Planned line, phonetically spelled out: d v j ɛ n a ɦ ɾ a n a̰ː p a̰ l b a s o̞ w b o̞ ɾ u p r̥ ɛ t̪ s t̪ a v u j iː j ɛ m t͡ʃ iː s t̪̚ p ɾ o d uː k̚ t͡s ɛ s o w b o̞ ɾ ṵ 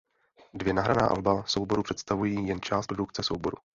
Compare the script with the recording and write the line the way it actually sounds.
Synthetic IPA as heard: d v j ɛ n a ɦ ɾ a n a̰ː ʔ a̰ l b a s o̞ w b o̞ ɾ u p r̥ ɛ t̪ s t̪ a v u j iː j ɛ n t͡ʃ aː s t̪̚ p ɾ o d u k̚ t͡s ɛ s o w b o̞ ɾ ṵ